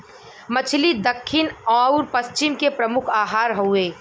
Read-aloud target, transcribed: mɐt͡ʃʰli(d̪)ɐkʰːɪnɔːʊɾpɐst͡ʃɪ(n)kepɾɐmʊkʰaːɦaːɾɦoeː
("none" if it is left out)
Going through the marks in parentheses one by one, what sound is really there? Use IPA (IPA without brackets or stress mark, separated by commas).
d̪, m